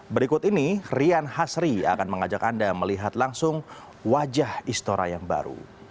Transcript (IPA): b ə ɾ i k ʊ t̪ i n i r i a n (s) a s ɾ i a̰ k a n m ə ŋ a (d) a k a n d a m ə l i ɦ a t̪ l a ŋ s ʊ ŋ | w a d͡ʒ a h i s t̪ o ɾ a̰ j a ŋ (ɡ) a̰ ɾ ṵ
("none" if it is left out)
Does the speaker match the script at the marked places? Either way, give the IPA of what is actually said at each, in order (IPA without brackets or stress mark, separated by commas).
h, d͡ʒ, b